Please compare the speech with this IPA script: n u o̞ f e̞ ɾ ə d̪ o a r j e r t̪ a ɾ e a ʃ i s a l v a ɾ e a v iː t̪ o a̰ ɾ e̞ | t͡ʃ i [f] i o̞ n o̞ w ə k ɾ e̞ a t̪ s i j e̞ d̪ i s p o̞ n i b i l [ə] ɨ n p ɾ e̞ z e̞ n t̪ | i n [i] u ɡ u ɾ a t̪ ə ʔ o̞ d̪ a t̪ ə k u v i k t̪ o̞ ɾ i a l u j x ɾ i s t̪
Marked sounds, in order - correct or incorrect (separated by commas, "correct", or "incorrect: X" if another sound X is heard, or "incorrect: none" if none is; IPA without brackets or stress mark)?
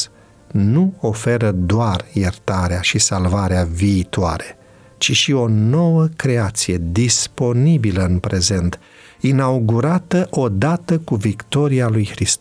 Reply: incorrect: ʃ, correct, incorrect: a